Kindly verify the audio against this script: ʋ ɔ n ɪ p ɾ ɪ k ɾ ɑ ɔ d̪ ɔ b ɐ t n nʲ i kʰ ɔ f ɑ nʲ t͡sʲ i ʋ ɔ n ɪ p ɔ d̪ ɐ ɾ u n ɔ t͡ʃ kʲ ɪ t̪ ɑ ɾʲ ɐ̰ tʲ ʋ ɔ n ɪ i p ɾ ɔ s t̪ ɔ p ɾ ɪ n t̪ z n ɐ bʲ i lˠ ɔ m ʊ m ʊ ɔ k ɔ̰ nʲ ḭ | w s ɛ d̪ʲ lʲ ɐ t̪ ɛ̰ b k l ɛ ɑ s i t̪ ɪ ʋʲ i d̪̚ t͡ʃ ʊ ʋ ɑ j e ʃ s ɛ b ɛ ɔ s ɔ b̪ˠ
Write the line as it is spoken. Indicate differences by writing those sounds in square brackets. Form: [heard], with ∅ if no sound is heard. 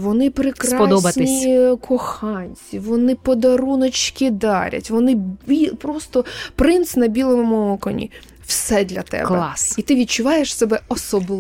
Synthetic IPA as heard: ʋ ɔ n ɪ p ɾ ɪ k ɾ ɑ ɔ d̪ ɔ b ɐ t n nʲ i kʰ ɔ [x] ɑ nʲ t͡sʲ i ʋ ɔ n ɪ p ɔ d̪ ɐ ɾ u n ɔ t͡ʃ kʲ ɪ [d̪] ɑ ɾʲ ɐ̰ tʲ ʋ ɔ n ɪ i p ɾ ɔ s t̪ ɔ p ɾ ɪ n t̪ [s] n ɐ bʲ i lˠ ɔ m ʊ m ʊ ɔ k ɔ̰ nʲ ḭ | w s ɛ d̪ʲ lʲ ɐ t̪ ɛ̰ b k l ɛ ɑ s i t̪ ɪ ʋʲ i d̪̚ t͡ʃ ʊ ʋ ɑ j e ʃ s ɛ b ɛ ɔ s ɔ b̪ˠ